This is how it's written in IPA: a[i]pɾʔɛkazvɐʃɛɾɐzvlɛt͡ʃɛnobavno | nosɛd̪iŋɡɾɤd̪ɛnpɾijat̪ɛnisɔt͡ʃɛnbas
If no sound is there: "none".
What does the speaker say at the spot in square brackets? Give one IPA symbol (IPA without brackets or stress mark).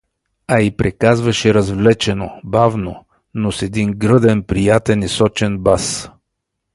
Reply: i